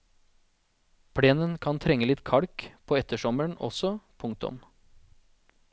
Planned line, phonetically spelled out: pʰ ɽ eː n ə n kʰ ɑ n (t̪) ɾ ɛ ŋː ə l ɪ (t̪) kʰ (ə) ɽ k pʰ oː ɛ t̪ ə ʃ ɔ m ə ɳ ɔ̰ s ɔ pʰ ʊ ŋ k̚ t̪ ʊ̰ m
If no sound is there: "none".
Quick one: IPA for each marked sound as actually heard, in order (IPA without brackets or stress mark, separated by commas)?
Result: t̪ʰ, t̪, ɑ